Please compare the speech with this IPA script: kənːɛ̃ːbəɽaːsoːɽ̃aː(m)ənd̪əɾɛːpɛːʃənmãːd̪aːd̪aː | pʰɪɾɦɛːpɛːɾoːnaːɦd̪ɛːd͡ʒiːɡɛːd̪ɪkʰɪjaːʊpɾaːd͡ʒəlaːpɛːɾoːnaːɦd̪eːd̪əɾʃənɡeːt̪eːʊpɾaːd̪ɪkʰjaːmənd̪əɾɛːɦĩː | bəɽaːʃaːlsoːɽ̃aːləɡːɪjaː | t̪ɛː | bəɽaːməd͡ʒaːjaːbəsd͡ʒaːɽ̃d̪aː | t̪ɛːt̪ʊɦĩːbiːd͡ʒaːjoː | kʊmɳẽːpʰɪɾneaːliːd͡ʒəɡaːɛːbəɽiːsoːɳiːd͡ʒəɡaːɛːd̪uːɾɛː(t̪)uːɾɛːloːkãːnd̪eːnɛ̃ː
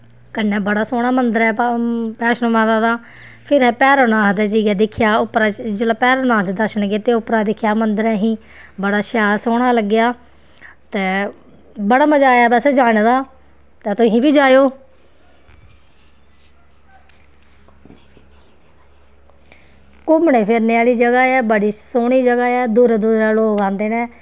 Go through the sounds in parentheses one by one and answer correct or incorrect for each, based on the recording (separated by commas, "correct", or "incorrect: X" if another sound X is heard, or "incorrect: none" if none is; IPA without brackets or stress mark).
correct, incorrect: d̪